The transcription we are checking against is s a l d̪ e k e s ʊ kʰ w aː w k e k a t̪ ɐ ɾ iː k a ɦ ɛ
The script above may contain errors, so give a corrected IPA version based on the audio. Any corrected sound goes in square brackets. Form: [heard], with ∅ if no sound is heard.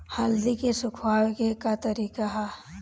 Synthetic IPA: [h] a l d̪ [i] k e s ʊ kʰ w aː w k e k a t̪ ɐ ɾ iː k a ɦ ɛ

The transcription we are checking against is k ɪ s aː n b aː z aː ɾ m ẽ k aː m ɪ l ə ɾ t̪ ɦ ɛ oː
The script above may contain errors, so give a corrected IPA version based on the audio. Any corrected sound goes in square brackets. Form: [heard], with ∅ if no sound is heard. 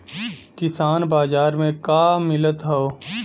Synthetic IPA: k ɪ s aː n b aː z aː ɾ m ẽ k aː m ɪ l ə [∅] t̪ ɦ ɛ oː

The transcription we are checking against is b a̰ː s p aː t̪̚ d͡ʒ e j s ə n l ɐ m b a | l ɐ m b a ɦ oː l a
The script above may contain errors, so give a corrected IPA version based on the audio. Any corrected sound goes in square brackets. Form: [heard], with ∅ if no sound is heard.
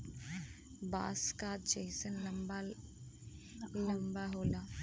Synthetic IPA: b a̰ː s [k] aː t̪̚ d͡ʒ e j s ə n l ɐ m b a | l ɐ m b a ɦ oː l a

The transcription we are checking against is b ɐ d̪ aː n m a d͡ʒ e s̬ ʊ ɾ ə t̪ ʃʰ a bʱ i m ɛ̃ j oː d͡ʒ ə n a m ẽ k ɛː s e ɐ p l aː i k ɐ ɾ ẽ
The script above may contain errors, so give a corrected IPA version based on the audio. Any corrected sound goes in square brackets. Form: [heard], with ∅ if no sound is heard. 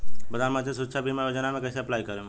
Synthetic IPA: b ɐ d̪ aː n m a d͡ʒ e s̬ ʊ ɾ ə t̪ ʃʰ a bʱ i m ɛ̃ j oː d͡ʒ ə n a m ẽ k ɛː s e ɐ p l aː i k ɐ ɾ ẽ

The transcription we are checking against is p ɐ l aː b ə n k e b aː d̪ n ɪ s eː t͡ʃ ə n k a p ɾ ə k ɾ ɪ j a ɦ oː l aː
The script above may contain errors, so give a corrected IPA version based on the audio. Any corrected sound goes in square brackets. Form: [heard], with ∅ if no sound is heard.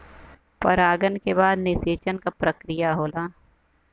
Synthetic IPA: p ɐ [ɾ] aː [ɡ] ə n k e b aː d̪ n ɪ s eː t͡ʃ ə n k a p ɾ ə k ɾ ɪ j a ɦ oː l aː

